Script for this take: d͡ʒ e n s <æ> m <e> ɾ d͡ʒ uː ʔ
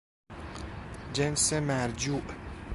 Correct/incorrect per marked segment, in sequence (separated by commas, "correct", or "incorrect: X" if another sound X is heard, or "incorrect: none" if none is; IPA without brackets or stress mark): incorrect: e, incorrect: æ